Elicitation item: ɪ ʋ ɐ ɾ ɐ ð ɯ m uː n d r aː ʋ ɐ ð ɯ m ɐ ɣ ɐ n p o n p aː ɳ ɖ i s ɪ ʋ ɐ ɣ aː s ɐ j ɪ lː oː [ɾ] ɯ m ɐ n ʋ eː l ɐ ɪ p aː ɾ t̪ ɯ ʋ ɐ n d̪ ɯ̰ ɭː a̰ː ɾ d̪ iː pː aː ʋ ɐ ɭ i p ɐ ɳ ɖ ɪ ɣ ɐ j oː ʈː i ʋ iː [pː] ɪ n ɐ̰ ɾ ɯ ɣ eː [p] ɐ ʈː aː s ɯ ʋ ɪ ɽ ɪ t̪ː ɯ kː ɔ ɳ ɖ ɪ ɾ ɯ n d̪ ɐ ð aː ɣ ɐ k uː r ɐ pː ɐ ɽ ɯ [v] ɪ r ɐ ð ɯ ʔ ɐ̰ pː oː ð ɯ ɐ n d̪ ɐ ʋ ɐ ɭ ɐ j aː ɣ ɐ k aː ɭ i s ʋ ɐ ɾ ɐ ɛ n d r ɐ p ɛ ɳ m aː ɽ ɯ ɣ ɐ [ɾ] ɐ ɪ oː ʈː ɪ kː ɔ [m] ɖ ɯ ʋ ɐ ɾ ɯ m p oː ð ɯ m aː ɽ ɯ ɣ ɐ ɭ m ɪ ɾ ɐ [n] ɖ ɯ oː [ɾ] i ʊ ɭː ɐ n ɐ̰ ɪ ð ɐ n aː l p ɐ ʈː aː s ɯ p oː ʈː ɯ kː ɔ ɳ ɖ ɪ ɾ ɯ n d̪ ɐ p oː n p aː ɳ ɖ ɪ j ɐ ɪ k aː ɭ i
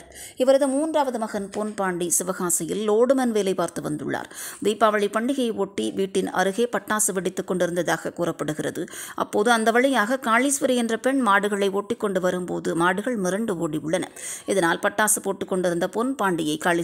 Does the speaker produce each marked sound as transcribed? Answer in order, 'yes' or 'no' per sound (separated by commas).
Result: no, no, yes, no, no, no, no, no